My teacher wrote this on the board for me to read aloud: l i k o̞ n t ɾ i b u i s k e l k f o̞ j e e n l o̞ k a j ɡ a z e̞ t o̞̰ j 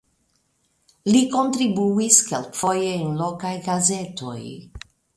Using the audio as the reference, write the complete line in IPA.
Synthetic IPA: l i k o̞ n t ɾ i b u i s k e l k f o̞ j e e n l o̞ k a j ɡ a z e̞ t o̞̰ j